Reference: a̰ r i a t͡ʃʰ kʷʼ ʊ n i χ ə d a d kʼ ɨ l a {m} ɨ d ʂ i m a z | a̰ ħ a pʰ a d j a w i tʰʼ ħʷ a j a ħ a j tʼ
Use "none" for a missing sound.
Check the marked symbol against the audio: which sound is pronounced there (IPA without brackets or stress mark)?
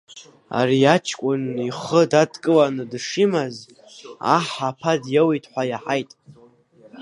n